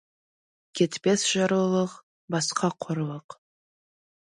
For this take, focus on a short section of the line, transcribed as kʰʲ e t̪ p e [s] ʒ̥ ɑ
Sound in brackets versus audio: correct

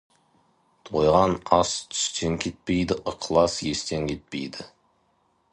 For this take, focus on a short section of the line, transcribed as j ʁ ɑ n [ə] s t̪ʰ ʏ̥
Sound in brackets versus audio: incorrect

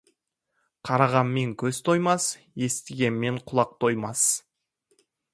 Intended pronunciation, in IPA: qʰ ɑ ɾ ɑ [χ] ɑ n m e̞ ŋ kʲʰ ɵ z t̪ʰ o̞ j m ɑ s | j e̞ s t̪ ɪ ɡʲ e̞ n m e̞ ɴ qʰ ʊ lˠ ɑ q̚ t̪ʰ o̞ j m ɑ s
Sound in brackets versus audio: incorrect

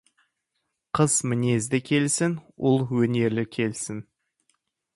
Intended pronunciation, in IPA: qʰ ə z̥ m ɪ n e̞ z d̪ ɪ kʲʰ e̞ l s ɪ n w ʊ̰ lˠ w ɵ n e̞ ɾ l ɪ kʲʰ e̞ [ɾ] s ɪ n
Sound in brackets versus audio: incorrect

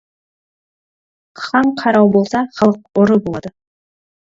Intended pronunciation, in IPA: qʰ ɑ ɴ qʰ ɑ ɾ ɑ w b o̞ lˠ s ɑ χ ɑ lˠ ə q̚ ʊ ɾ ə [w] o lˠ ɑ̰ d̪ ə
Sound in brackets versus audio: incorrect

